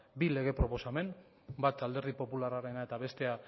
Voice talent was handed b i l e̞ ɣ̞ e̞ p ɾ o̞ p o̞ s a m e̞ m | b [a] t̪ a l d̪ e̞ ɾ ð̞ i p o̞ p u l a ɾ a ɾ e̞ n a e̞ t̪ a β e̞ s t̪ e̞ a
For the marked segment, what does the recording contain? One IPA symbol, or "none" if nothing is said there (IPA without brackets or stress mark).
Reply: a